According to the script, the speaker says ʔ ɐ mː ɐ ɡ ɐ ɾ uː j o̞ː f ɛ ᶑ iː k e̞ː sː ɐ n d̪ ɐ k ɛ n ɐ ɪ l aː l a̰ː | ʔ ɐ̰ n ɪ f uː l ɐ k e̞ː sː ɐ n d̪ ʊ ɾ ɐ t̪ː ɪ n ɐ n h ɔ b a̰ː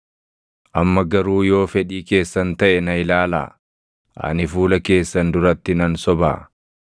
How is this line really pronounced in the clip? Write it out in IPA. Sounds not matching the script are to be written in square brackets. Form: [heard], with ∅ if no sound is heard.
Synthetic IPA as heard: ʔ ɐ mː ɐ ɡ ɐ ɾ uː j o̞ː f ɛ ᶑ iː k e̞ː sː ɐ n [t̪] ɐ [ʔ] ɛ n ɐ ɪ l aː l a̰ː | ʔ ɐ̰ n ɪ f uː l ɐ k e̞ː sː ɐ n d̪ ʊ ɾ ɐ t̪ː ɪ n ɐ n [s] ɔ b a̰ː